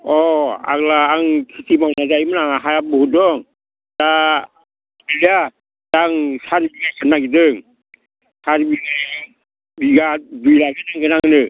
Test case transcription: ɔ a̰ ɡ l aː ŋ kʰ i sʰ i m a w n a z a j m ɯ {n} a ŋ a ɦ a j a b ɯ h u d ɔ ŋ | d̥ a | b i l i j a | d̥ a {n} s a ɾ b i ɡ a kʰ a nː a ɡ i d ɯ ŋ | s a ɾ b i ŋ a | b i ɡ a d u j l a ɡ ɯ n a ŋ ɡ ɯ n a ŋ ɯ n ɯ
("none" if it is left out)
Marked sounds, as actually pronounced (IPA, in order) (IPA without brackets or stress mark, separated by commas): n, ŋ